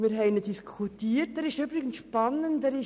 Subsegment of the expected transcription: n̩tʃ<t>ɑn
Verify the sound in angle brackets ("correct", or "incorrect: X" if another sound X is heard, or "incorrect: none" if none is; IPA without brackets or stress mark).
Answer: incorrect: p